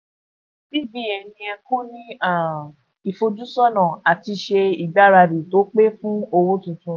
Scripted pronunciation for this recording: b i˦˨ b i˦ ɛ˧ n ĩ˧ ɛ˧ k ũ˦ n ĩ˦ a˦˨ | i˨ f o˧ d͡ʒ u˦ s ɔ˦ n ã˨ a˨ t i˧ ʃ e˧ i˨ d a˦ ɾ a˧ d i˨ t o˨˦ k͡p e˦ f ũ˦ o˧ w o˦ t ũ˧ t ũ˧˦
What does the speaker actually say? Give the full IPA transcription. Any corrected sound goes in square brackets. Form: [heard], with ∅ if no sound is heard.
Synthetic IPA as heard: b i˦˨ b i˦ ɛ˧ n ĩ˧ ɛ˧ k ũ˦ n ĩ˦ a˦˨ | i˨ f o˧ d͡ʒ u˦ s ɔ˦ n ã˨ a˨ t i˧ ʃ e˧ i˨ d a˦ ɾ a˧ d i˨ t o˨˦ k͡p e˦ f ũ˦ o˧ w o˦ t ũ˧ t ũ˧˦